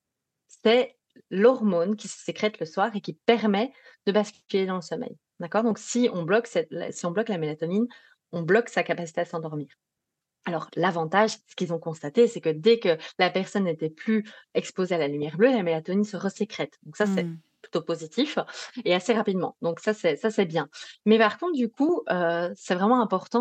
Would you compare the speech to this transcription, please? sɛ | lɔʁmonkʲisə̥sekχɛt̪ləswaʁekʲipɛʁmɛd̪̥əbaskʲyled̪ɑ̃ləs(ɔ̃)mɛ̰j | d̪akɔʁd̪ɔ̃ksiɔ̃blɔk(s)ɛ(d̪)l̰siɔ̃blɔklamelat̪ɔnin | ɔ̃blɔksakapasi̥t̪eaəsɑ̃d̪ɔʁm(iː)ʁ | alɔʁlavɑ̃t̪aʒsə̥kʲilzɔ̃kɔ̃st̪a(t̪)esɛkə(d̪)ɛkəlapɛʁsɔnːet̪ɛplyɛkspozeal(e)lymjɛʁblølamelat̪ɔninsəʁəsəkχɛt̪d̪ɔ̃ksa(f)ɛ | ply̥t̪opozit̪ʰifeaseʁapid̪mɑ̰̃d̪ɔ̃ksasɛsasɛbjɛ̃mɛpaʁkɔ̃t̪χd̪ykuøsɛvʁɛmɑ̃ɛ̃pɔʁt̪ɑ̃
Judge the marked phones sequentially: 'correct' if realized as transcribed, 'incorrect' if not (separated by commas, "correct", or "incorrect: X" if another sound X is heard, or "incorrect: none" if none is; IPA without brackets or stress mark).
incorrect: ɔ, correct, incorrect: t̪, correct, correct, correct, incorrect: a, incorrect: s